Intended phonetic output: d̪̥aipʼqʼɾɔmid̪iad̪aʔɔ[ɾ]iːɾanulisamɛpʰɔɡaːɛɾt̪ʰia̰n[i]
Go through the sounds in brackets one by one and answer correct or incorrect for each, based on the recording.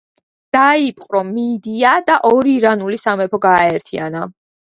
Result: correct, incorrect: a

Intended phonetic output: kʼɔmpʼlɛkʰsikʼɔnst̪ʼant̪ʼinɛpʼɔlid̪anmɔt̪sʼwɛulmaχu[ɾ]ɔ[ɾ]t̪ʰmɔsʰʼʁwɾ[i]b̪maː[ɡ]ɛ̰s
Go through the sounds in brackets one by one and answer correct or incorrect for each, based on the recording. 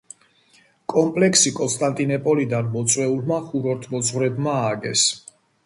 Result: correct, correct, incorrect: ɛ, correct

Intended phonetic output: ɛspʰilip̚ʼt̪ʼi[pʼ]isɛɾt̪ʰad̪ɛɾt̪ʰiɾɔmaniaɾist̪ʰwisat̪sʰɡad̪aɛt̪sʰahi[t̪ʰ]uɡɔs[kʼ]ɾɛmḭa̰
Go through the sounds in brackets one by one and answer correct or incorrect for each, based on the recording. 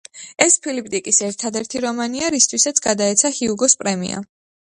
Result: incorrect: kʼ, incorrect: none, incorrect: pʼ

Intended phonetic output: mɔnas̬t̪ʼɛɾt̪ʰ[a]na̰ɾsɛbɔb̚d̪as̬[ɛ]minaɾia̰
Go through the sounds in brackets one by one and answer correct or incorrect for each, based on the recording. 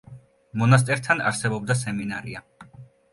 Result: correct, correct

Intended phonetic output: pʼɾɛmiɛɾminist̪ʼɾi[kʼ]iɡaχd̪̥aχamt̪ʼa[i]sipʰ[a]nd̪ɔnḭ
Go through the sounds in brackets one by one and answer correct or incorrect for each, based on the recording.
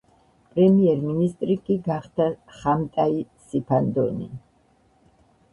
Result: correct, correct, correct

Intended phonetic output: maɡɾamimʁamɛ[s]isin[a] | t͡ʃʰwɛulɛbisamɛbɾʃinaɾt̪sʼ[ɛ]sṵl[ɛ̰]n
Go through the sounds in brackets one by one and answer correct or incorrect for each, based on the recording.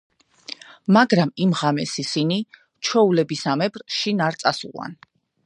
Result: correct, incorrect: i, incorrect: a, incorrect: a̰

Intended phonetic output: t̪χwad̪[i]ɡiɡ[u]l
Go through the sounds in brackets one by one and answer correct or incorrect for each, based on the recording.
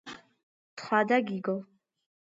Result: incorrect: a, incorrect: ɔ

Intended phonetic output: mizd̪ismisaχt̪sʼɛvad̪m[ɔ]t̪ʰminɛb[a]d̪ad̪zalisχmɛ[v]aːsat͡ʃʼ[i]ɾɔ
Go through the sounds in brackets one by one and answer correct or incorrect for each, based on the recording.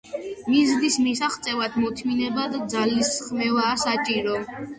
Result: correct, correct, correct, correct

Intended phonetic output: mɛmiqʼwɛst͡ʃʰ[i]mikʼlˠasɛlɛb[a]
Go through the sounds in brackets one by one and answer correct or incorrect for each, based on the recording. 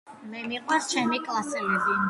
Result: incorrect: ɛ, incorrect: i

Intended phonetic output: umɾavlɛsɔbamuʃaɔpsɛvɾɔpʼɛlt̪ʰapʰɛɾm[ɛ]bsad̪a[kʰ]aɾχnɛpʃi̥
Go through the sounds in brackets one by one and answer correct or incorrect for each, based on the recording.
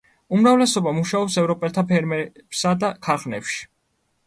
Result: correct, correct

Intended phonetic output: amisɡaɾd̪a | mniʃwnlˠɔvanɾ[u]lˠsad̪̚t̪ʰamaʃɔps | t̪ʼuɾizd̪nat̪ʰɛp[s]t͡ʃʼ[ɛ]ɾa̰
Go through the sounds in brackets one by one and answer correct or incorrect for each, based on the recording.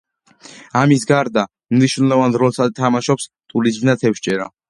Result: incorrect: ɔ, incorrect: ʃ, correct

